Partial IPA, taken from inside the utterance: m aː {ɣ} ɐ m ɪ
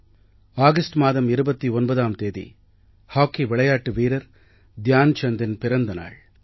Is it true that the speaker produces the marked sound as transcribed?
no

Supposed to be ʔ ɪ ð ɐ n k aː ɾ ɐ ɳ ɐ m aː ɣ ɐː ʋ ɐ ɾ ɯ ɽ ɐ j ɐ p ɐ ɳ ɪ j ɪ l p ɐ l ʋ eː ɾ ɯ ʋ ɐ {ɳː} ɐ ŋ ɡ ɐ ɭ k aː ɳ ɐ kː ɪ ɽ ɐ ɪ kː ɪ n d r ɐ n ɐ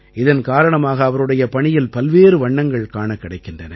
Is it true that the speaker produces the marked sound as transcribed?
yes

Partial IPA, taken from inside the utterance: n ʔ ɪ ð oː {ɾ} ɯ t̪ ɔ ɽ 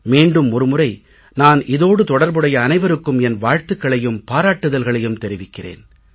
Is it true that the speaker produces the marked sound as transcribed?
no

